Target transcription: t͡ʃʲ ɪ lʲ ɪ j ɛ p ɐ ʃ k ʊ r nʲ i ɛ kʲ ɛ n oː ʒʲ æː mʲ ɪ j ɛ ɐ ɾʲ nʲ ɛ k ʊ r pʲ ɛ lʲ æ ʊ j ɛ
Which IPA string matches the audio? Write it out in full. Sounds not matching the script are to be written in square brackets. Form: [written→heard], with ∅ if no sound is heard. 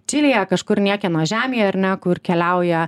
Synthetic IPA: t͡ʃʲ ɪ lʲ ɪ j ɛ [p→k] ɐ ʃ k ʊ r nʲ i ɛ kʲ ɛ n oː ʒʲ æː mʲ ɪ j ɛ ɐ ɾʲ nʲ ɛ k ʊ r [pʲ→kʲ] ɛ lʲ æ ʊ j ɛ